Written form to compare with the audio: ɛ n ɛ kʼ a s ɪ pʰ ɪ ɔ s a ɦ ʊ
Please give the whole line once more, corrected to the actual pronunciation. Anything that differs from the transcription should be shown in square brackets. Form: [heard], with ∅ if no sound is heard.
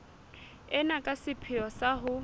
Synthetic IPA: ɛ n [a] kʼ a s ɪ pʰ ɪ ɔ s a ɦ ʊ